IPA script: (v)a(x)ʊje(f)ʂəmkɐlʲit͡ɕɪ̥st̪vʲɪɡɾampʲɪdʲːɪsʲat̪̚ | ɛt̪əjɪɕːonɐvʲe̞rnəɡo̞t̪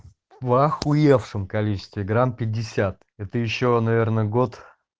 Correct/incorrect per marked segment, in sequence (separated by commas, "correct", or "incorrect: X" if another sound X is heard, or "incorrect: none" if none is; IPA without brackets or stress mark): correct, correct, correct